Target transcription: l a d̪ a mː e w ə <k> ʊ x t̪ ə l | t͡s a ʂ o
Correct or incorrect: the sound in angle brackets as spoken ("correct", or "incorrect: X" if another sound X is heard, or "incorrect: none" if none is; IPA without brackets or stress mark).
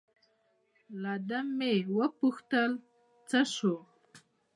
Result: incorrect: p